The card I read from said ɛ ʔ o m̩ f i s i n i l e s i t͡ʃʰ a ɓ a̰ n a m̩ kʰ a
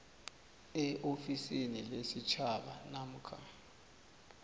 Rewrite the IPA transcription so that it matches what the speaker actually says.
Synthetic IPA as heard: ɛ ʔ o f i s i n i l e s i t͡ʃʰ a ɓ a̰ n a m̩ kʰ a